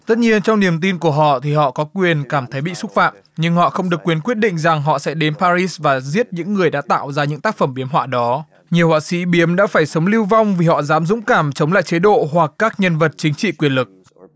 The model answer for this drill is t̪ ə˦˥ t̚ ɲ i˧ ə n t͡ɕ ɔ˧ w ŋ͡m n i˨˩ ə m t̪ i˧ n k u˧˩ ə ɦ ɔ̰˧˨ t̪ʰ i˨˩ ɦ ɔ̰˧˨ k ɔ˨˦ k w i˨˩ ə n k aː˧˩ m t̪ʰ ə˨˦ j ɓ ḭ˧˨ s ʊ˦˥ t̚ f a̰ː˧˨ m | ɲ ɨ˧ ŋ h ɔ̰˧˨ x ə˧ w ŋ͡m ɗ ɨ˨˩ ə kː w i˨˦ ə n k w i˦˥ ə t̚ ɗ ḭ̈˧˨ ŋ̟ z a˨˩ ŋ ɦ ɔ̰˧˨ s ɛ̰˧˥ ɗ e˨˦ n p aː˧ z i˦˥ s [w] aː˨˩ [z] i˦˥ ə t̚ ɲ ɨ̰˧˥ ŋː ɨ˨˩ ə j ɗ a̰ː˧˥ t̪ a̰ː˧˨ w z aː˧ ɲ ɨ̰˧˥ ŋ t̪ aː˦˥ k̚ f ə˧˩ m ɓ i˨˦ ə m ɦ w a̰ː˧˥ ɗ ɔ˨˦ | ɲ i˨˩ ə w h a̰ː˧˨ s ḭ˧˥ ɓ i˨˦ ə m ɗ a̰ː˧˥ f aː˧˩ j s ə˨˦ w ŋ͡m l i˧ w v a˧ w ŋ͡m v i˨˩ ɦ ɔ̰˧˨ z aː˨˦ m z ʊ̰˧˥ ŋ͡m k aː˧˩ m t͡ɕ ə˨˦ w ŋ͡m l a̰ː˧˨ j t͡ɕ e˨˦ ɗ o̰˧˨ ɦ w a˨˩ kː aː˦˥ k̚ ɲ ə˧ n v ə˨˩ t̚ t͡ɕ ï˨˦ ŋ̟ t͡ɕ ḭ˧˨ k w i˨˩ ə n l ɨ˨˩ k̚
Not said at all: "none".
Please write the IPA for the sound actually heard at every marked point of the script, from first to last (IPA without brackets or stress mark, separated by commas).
v, z